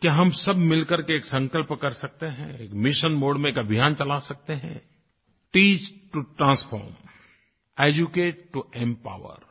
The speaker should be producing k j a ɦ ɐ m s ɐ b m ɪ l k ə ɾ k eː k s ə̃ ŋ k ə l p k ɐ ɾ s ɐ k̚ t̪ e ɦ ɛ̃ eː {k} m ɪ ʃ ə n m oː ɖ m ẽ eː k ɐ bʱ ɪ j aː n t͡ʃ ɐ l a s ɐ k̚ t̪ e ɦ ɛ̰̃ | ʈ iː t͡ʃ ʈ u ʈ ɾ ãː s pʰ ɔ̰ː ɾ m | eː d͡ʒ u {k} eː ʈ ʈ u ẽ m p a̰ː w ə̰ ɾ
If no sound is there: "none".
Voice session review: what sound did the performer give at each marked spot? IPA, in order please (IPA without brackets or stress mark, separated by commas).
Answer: k, k